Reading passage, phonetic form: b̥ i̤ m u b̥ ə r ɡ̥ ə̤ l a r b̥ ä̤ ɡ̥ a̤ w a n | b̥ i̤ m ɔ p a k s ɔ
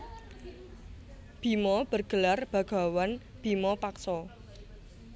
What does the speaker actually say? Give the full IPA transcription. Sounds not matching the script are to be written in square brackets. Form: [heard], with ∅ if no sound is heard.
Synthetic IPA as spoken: b̥ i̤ m [ɔ] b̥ ə r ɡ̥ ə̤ l a r b̥ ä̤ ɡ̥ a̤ w a n | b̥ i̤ m ɔ p a k s ɔ

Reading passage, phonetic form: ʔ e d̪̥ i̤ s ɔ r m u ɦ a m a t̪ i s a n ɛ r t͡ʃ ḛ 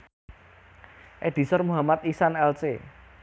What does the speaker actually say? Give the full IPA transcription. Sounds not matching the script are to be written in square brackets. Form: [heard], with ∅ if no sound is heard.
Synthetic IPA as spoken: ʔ e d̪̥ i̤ s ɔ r m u ɦ a m a t̪ i s a n ɛ [l] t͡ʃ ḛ

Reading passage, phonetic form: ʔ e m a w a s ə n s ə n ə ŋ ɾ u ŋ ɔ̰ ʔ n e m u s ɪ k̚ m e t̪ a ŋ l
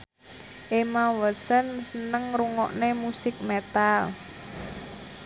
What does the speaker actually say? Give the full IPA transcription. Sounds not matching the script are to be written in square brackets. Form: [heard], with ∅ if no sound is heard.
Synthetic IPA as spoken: ʔ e m a w [ə] s ə n s ə n ə ŋ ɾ u ŋ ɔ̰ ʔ n e m u s ɪ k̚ m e t̪ a [∅] l

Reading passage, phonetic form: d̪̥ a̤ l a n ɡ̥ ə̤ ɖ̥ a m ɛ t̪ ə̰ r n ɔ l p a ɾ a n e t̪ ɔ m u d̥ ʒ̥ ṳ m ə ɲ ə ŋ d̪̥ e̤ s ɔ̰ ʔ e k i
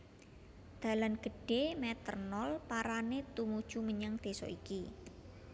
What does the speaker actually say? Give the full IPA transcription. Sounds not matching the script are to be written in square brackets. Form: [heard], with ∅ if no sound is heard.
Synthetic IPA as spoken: d̪̥ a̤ l a n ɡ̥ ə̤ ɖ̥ [e] m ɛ t̪ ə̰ r n ɔ l p a ɾ a n e t̪ [u] m u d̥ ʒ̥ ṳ m ə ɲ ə ŋ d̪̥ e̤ s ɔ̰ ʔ [i] k i

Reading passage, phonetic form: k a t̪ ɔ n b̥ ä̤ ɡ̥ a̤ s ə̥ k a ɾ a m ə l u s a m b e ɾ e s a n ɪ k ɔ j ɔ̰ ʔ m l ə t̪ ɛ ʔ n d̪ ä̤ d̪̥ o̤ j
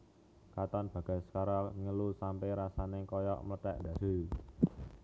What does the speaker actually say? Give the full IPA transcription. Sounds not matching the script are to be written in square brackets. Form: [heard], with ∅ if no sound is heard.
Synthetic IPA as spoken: k a t̪ ɔ n b̥ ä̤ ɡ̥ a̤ s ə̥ k a ɾ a [ŋ] ə l u s a m [p] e ɾ [a] s a n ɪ k ɔ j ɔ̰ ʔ m l ə t̪ ɛ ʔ n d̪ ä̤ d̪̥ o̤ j

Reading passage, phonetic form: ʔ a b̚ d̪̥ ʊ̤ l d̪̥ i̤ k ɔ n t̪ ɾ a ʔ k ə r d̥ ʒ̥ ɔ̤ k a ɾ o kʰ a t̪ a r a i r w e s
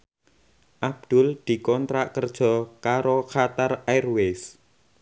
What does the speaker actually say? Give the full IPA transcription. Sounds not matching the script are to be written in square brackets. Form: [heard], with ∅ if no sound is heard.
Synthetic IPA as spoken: ʔ a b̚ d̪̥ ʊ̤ l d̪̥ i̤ k ɔ n t̪ ɾ a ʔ k ə r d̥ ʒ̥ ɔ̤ k a ɾ o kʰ a t̪ a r a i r w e s

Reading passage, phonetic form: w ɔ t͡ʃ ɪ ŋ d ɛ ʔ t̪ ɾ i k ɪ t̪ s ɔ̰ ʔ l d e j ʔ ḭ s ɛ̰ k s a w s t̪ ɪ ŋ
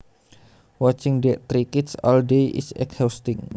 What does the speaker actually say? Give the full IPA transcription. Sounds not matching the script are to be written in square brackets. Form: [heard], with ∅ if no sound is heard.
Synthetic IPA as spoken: w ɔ t͡ʃ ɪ ŋ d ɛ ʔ t̪ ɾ i k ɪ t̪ s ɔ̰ [∅] l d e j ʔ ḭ s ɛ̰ k [h] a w s t̪ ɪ ŋ

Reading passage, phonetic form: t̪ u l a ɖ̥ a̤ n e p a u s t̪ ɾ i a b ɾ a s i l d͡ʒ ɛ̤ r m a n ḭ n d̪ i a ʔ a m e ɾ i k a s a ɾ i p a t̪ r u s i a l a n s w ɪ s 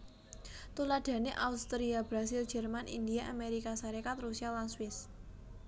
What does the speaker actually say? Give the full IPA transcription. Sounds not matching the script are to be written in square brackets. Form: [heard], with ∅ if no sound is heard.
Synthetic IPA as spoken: t̪ u l a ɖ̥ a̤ n e [ʔ] a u s t̪ ɾ i a b ɾ a s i l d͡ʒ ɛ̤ r m a n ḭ n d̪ i a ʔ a m e ɾ i k a s a ɾ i [k] a t̪ r u s i a l a n s w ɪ s

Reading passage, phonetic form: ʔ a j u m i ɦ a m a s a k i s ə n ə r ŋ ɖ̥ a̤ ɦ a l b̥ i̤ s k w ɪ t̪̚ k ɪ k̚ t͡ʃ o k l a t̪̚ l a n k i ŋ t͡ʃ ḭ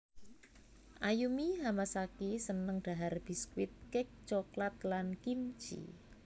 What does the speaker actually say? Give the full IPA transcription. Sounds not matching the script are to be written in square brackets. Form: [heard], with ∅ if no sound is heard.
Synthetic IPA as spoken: ʔ a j u m i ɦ a m a s a k i s ə n ə [∅] ŋ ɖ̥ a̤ ɦ a [r] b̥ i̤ s k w ɪ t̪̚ k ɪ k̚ t͡ʃ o k l a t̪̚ l a n k i [m] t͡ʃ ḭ

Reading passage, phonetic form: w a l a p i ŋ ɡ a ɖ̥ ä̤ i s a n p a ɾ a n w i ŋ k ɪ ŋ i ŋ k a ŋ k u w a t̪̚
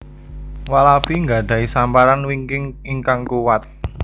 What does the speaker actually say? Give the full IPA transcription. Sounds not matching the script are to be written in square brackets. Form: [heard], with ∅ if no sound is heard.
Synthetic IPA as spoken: w a l a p i ŋ ɡ a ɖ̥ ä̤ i s a [m] p a ɾ a n w i ŋ k ɪ ŋ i ŋ k a ŋ k u w a t̪̚

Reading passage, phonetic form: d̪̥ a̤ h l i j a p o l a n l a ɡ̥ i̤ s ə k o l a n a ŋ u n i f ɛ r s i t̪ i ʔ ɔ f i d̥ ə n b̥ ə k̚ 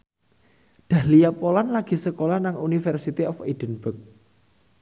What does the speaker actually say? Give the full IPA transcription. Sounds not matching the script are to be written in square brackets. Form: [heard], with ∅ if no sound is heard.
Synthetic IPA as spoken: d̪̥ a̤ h l i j a p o l a n l a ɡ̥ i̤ s ə k o l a n a ŋ u n i f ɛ r s i t̪ i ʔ ɔ f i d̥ ə n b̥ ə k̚

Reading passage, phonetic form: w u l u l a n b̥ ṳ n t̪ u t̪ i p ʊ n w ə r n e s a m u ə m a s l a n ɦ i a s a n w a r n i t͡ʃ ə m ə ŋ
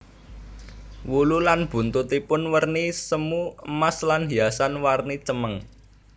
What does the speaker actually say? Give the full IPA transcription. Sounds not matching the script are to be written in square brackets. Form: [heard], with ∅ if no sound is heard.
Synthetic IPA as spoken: w u l u l a n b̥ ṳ n t̪ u t̪ i p ʊ n w ə r n [i] s [ə] m u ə m a s l a n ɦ i a s a n w a r n i t͡ʃ ə m ə ŋ

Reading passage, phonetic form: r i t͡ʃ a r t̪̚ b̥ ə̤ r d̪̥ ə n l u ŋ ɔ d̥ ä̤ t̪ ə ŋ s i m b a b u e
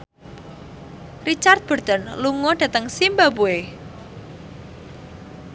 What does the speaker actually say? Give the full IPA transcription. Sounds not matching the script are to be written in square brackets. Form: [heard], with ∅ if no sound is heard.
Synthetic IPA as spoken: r i t͡ʃ a r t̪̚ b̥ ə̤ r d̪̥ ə n l u ŋ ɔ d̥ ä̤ t̪ ə ŋ s i m b a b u e

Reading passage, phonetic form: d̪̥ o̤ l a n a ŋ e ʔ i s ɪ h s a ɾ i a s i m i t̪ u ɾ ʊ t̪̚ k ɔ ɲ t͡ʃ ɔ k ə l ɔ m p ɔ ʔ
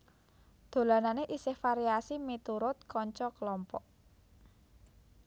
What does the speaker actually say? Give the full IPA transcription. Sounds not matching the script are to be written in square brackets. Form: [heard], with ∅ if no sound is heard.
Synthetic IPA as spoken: d̪̥ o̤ l a n a [n] e ʔ i s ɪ h [f] a ɾ i a s i m i t̪ u ɾ ʊ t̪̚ k ɔ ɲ t͡ʃ ɔ k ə l ɔ m p ɔ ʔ

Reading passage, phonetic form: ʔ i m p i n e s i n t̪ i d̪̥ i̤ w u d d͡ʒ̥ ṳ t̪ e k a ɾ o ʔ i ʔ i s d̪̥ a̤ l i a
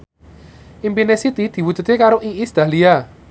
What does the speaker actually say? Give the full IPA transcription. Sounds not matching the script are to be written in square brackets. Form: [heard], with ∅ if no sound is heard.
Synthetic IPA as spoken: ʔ i m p i n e s i [∅] t̪ i d̪̥ i̤ w u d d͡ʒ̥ ṳ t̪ e k a ɾ o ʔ i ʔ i s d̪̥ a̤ l i a

